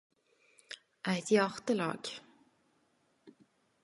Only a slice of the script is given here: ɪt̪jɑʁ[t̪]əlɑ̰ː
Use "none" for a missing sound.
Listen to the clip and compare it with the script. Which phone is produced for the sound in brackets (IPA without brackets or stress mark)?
t̪